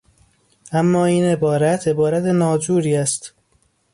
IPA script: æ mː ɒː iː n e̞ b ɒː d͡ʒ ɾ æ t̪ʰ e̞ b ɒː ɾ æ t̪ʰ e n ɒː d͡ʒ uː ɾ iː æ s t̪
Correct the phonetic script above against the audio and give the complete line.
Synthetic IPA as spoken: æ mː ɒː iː n e̞ b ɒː ɾ æ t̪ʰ e̞ b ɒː ɾ æ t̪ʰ e n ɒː d͡ʒ uː ɾ iː æ s t̪

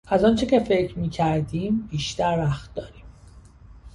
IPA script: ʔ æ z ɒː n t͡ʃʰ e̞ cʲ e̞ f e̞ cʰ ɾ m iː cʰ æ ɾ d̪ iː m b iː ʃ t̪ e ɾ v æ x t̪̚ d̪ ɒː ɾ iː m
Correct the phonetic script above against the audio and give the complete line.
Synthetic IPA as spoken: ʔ æ z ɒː n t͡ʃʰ e̞ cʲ e̞ f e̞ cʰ ɾ m iː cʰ æ ɾ d̪ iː m b iː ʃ t̪ æ ɾ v æ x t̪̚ d̪ ɒː ɾ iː m

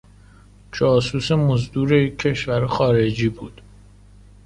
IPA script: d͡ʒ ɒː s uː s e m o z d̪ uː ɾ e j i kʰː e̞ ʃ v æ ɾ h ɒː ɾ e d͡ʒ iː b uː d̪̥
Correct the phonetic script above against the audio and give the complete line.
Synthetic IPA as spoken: d͡ʒ ɒː s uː s e m o z d̪ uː ɾ e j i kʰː e̞ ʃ v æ ɾ x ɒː ɾ e d͡ʒ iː b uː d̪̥

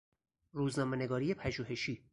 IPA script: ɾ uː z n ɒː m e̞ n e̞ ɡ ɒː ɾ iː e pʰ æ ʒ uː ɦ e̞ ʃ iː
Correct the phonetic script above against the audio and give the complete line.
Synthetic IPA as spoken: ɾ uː z n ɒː m e̞ n e̞ ɡ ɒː ɾ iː e pʰ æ ʒ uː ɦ e̞ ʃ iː

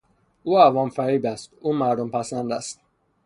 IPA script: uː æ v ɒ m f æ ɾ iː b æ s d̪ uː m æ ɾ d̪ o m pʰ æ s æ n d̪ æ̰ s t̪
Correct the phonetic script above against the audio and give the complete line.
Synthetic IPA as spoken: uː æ v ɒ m f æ ɾ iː b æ s t̪ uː m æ ɾ d̪ o m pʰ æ s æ n d̪ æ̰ s t̪

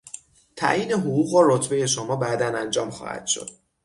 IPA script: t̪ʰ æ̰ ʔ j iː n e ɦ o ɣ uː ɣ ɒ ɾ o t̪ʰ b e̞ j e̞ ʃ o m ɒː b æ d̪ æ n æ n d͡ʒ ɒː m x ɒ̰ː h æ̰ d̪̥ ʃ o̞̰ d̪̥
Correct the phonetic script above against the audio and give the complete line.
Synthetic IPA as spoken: t̪ʰ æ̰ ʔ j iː n e ɦ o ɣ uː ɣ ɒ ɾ o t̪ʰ b e̞ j e̞ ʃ o m ɒː b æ d̪ æ n æ n d͡ʒ ɒː m x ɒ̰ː h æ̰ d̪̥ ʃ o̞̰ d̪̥

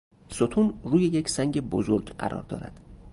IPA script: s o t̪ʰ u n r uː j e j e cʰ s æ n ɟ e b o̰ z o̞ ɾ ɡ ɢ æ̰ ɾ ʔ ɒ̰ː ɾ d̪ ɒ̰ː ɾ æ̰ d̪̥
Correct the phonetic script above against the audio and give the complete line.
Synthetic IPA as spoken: s o t̪ʰ u n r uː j e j e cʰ s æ ŋ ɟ e b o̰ z o̞ ɾ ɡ ɢ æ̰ ɾ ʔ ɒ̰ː ɾ d̪ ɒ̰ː ɾ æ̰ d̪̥

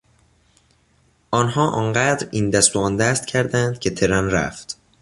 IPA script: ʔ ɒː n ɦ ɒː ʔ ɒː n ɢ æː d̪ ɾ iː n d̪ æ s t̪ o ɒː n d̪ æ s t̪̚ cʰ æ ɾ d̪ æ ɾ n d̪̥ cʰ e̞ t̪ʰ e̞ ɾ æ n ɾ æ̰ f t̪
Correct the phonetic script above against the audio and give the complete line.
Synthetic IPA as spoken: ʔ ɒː n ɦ ɒː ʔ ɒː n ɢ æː d̪ ɾ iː n d̪ æ s t̪ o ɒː n d̪ æ s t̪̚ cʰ æ ɾ d̪ æ n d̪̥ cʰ e̞ t̪ʰ e̞ ɾ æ n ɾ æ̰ f t̪

